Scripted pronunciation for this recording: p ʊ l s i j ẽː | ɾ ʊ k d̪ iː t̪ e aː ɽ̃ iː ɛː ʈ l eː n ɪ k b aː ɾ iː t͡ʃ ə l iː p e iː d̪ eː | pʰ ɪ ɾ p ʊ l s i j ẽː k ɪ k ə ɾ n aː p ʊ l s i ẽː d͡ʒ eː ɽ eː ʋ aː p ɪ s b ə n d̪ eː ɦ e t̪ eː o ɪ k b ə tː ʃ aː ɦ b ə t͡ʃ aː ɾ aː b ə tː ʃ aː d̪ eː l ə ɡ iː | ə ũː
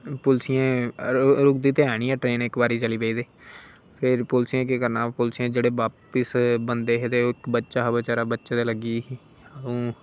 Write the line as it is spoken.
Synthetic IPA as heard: p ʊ l s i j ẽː | ɾ ʊ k d̪ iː t̪ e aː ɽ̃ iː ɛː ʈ ɾ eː n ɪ k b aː ɾ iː t͡ʃ ə l iː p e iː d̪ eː | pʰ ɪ ɾ p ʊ l s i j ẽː k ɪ k ə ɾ n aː p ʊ l s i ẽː d͡ʒ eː ɽ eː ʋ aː p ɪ s b ə n d̪ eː ɦ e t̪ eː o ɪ k b ə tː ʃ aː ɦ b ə t͡ʃ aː ɾ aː b ə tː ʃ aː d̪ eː l ə ɡ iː | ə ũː